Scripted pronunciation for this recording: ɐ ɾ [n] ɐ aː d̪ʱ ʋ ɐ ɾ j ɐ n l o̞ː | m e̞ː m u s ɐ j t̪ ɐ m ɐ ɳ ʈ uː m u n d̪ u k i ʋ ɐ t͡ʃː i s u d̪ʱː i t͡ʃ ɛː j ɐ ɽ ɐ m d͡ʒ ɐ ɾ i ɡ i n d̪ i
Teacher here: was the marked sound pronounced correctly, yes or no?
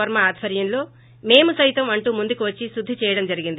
no